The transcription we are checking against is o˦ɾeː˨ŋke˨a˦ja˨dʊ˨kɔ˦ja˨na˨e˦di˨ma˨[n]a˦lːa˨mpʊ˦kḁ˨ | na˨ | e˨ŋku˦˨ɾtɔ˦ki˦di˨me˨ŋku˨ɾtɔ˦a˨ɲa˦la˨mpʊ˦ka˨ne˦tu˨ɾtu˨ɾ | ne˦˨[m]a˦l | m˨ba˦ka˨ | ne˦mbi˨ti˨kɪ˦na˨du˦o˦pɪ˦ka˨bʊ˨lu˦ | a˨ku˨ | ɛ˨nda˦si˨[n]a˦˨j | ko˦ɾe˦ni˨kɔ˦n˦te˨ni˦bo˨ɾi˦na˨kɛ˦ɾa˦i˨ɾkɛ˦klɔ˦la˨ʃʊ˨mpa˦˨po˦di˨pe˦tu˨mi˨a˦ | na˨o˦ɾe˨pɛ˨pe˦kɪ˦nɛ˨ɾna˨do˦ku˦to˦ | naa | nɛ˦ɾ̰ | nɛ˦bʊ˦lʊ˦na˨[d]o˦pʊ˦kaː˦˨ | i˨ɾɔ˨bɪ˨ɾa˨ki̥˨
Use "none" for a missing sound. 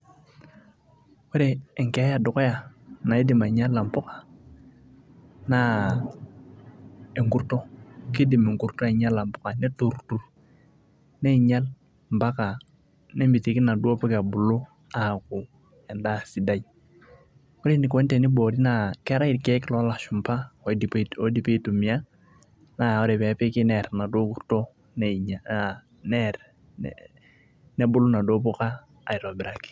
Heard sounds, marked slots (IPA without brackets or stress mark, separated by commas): ɲ, ɲ, d, d